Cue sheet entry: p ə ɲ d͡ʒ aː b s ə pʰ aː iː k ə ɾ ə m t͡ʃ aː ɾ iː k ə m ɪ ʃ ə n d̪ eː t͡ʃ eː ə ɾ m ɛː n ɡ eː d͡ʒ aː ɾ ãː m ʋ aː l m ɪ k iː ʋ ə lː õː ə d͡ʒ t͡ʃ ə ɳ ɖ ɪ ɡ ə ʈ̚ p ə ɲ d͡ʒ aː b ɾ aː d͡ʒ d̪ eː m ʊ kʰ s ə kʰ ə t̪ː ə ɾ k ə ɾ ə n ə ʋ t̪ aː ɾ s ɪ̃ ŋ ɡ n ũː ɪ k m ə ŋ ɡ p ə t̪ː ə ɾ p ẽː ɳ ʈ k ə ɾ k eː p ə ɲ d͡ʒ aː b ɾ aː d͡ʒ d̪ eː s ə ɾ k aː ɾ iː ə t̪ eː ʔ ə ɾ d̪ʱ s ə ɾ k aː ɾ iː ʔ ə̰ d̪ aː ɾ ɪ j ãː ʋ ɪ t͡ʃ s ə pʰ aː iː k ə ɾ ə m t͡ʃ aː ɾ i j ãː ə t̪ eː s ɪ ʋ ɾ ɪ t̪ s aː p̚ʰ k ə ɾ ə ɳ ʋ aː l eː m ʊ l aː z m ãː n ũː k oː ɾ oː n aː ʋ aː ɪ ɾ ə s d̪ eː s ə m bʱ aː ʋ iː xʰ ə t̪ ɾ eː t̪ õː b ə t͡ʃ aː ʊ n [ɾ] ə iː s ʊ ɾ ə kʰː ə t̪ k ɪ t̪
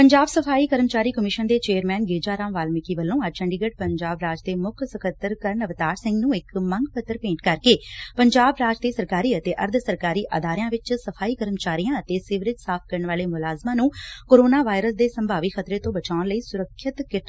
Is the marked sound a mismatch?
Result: yes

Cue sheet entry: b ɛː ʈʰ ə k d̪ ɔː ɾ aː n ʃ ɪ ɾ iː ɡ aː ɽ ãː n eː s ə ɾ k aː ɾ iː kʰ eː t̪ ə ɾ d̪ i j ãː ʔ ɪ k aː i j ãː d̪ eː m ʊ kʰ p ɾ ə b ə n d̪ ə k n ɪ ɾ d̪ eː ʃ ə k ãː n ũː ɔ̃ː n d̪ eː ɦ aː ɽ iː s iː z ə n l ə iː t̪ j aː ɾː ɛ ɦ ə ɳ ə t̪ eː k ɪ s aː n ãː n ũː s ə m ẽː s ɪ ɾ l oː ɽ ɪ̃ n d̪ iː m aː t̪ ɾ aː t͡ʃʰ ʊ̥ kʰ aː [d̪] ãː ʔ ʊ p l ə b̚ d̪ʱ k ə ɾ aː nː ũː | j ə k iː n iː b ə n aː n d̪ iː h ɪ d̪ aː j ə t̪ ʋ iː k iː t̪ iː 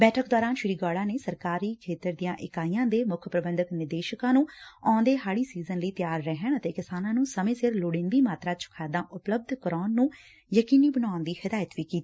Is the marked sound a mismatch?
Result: no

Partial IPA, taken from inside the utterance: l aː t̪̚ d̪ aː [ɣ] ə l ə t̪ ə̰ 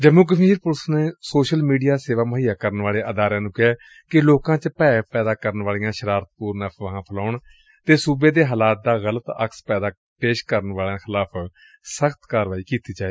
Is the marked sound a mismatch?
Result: no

